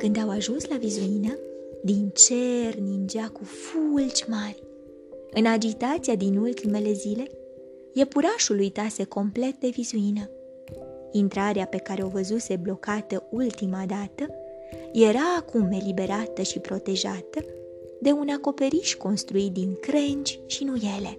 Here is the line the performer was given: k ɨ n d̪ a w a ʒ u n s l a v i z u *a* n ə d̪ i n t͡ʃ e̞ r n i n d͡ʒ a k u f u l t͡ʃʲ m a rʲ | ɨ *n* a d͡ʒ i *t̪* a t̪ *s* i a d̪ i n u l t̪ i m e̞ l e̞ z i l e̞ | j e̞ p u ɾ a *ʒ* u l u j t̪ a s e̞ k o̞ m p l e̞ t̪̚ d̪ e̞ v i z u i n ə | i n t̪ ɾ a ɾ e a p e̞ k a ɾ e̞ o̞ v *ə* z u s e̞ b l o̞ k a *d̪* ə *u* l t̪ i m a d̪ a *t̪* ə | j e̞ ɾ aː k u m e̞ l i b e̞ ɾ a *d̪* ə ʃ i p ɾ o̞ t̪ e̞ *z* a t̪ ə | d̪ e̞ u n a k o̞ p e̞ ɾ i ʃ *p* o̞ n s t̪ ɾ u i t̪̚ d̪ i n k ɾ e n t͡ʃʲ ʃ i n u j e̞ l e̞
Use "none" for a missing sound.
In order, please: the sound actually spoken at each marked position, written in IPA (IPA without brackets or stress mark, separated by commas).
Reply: i, n, t̪, s, ʃ, ə, t̪, u, t̪, t̪, ʒ, k